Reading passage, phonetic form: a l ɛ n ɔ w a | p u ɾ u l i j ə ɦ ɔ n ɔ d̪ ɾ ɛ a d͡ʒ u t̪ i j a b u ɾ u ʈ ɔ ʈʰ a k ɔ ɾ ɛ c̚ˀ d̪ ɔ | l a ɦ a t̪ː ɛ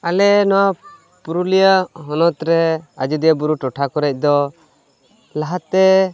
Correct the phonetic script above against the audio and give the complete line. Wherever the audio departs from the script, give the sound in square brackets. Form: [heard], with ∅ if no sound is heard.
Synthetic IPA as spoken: a l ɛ n ɔ w a | p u ɾ u l i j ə ɦ ɔ n ɔ [t̪] ɾ ɛ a d͡ʒ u [d̪] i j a b u ɾ u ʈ ɔ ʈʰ a k ɔ ɾ ɛ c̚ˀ d̪ ɔ | l a ɦ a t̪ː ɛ